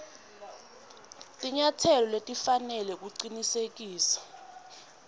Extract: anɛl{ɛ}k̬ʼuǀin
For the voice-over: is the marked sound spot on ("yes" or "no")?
yes